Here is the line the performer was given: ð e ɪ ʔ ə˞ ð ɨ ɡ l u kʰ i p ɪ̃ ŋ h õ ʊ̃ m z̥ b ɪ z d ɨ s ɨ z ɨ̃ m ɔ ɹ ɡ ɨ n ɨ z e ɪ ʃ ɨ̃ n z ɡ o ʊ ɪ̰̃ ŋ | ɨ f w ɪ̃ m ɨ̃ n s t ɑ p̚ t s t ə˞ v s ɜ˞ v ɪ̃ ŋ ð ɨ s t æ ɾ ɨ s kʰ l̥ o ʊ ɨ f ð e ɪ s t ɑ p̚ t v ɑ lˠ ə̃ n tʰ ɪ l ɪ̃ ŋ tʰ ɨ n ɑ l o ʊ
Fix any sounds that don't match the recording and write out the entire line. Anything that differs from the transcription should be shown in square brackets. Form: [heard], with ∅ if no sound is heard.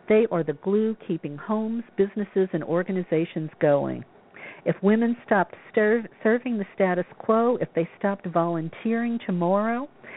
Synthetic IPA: ð e ɪ ʔ ə˞ ð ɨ ɡ l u kʰ i p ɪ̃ ŋ h õ ʊ̃ m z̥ b ɪ z [n] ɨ s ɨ z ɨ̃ [n] ɔ ɹ ɡ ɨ n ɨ z e ɪ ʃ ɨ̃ n z ɡ o ʊ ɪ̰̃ ŋ | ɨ f w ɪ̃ m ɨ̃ n s t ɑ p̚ t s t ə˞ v s ɜ˞ v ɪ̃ ŋ ð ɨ s t æ ɾ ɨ s kʰ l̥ o ʊ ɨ f ð e ɪ s t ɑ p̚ t v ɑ lˠ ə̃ n tʰ ɪ [ɹ] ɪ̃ ŋ tʰ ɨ [m] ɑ [ɹ] o ʊ